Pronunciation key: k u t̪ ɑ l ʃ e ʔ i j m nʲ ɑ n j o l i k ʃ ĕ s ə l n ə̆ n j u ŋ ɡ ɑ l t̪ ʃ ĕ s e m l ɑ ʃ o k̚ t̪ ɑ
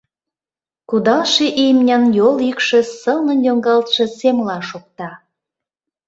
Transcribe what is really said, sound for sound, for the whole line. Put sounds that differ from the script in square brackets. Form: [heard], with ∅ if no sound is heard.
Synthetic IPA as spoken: k u [d̪] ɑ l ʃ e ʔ i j m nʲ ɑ n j o l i k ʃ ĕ s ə l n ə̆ n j [o] ŋ ɡ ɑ l t̪ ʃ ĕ s e m l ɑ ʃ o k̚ t̪ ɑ